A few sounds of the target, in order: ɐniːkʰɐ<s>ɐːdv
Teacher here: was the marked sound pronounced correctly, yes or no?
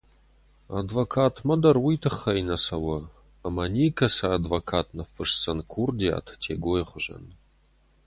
yes